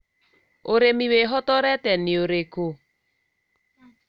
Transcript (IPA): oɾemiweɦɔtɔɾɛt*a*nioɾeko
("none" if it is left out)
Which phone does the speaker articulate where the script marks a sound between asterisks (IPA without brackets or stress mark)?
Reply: ɛ